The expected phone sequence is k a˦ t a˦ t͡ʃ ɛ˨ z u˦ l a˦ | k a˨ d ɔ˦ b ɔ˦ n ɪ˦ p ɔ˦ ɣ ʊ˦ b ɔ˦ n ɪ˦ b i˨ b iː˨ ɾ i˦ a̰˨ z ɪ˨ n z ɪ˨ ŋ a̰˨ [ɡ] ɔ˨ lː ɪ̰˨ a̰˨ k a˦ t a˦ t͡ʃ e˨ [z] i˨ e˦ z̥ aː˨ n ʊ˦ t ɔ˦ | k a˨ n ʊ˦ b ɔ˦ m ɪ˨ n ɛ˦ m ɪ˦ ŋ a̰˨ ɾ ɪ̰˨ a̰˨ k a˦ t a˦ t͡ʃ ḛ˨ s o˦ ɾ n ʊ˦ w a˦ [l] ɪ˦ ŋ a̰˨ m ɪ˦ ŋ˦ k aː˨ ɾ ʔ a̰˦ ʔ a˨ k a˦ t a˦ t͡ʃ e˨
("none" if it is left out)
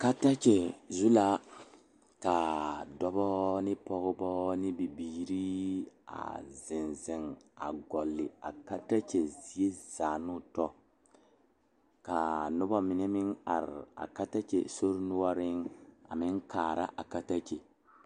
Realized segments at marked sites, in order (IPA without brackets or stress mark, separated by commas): ɡ, z, ɾ